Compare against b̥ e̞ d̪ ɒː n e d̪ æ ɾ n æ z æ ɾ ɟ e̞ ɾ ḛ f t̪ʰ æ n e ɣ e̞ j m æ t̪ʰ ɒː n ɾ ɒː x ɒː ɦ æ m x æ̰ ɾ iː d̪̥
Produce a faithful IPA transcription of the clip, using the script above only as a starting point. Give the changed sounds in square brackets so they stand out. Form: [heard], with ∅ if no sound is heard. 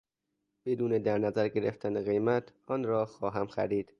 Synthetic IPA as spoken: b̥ e̞ d̪ [uː] n e d̪ æ ɾ n æ z æ ɾ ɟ e̞ ɾ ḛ f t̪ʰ æ n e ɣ e̞ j m æ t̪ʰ ɒː n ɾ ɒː x ɒː ɦ æ m x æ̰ ɾ iː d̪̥